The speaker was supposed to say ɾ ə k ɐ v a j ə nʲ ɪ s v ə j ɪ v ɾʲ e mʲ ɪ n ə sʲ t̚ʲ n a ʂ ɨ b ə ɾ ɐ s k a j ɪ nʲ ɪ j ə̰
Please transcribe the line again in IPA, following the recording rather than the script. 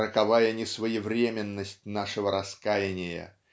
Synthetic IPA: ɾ ə k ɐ v a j ə nʲ ɪ s v ə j ɪ v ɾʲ e mʲ ɪ nː ə sʲ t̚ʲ n a ʂ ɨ v ə ɾ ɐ s k a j ɪ nʲ ɪ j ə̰